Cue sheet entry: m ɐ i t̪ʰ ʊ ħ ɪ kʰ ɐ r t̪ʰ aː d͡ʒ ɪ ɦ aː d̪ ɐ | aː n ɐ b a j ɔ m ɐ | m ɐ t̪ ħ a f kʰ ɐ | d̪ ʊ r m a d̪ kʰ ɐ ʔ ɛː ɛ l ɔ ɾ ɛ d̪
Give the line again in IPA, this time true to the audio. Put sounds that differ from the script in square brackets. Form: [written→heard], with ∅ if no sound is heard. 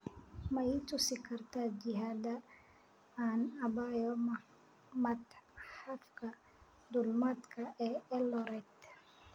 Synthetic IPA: m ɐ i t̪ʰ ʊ [ħ→s] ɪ kʰ ɐ r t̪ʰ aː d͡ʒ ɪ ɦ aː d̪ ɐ | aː n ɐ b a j ɔ m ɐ | m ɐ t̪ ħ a f kʰ ɐ | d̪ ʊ [r→l] m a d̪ kʰ ɐ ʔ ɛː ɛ l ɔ ɾ ɛ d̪